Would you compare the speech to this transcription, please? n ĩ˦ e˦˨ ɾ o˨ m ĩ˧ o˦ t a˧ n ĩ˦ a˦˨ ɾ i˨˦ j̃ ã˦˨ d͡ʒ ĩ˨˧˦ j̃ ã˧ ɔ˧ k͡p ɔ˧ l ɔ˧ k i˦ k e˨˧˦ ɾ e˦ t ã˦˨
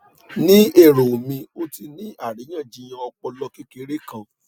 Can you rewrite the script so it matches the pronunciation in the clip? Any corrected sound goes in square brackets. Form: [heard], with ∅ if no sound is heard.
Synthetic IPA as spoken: n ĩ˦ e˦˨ ɾ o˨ m ĩ˧ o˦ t [i˧] n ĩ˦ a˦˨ ɾ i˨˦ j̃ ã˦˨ d͡ʒ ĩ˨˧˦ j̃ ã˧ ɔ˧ k͡p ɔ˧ l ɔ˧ k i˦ k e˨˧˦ ɾ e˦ [k] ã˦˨